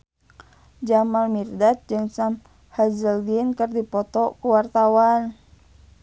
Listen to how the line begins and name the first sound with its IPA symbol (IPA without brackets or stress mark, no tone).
d͡ʒ